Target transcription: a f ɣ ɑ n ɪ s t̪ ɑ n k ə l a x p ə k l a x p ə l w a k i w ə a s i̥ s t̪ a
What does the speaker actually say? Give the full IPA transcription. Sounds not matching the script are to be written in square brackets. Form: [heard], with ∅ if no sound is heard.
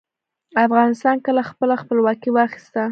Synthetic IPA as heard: a f ɣ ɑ n ɪ s t̪ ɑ n k ə l a x p ə [∅] l a x p ə l w [ɑ] k i w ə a [x] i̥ s t̪ a